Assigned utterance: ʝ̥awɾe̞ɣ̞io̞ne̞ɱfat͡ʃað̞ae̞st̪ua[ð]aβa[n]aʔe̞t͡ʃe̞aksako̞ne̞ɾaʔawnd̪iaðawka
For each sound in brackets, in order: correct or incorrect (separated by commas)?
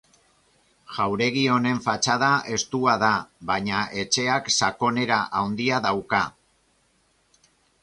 correct, incorrect